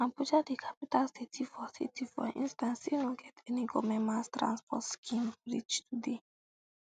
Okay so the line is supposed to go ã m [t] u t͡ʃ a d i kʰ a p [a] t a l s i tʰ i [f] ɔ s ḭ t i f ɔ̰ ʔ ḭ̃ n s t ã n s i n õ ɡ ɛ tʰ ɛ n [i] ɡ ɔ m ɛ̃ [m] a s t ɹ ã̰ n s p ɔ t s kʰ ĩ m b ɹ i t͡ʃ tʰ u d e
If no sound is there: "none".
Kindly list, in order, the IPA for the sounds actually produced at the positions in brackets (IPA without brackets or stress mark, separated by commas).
p, i, f, i, m